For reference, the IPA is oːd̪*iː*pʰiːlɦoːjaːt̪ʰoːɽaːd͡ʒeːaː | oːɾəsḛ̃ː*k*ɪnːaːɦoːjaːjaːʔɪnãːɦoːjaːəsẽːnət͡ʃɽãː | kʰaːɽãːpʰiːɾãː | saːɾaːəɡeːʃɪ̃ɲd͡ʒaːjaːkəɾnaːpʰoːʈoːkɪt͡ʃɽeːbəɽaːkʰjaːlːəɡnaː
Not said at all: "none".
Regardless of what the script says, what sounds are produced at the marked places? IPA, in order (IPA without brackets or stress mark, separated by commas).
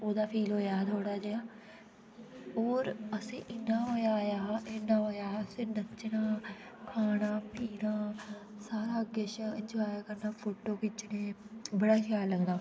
aː, ʔ